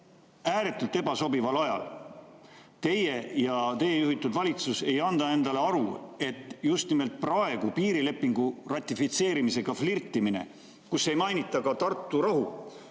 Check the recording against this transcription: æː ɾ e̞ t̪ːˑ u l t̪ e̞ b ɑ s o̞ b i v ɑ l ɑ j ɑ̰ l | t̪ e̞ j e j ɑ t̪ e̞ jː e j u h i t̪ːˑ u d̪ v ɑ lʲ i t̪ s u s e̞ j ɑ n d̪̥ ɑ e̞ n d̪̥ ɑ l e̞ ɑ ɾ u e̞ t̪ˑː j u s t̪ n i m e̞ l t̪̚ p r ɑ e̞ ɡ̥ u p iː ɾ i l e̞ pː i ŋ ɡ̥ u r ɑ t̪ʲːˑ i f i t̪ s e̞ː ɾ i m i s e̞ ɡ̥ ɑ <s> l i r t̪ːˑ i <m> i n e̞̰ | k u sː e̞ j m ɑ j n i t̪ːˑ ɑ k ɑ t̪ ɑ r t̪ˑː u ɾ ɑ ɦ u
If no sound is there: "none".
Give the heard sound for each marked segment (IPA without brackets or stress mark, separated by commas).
f, m